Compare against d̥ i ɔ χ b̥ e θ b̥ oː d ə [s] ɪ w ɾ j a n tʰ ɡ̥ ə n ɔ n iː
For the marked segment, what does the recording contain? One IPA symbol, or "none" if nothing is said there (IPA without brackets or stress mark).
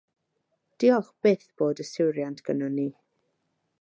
s